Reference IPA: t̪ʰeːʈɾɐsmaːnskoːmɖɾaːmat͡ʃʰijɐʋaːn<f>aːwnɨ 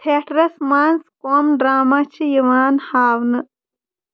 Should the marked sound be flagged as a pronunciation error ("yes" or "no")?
yes